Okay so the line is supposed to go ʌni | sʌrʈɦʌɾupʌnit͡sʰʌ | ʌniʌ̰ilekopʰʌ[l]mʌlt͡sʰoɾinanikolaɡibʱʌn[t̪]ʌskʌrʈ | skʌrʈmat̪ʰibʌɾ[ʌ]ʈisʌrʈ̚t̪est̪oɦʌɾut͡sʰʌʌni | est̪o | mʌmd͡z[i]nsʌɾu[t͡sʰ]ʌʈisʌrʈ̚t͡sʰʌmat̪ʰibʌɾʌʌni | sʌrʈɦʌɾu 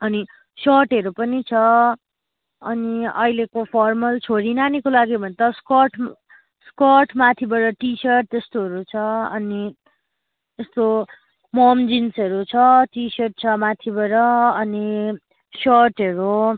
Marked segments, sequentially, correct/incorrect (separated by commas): incorrect, correct, correct, correct, correct